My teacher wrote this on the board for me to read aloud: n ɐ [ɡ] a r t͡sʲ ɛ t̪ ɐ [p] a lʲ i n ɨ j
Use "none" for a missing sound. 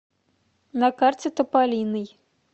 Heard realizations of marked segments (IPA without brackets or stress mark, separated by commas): k, p